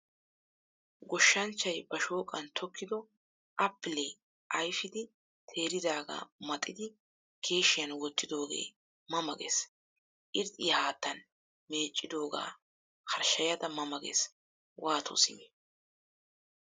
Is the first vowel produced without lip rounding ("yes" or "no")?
no